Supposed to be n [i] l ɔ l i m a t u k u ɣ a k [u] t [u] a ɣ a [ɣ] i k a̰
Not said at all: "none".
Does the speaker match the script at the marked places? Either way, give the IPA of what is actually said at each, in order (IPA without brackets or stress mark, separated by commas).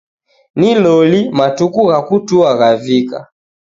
i, u, u, v